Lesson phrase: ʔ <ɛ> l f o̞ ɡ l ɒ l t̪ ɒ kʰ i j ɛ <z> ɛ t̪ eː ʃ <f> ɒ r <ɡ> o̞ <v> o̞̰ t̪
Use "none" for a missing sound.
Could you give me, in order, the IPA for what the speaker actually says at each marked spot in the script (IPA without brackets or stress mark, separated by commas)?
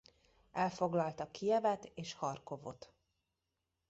ɛ, v, h, k, v